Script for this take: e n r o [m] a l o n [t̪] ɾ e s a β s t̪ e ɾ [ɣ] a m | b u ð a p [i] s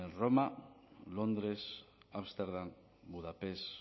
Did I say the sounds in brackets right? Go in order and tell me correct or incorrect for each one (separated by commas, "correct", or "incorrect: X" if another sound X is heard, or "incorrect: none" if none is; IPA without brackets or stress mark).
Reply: correct, incorrect: d̪, incorrect: ð, incorrect: e